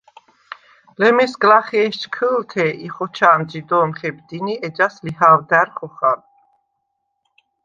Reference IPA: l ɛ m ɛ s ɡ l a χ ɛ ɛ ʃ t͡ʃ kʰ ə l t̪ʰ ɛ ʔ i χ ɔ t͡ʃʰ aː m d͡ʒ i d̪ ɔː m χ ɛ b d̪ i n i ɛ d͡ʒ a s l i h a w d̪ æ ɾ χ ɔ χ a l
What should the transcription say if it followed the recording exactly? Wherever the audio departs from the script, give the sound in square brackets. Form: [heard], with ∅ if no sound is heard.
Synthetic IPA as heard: l ɛ m ɛ s ɡ l a χ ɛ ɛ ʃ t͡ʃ kʰ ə l t̪ʰ ɛ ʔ i χ ɔ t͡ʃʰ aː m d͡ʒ i d̪ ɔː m χ ɛ b d̪ i n i ɛ d͡ʒ a s l i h a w d̪ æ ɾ χ ɔ χ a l